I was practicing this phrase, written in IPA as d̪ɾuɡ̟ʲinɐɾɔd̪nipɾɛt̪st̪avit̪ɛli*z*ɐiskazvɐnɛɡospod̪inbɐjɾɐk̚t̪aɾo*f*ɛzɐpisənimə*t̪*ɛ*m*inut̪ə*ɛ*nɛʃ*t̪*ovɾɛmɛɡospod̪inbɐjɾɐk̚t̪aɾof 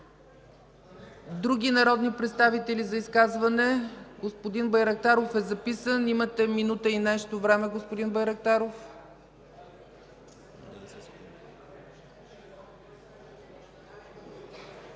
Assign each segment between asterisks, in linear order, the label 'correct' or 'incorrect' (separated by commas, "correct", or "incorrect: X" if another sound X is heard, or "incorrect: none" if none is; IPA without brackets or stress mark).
correct, correct, correct, correct, incorrect: i, correct